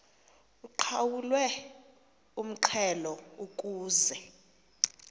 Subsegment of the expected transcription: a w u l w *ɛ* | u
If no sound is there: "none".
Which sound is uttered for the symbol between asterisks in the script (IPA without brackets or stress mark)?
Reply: ɛ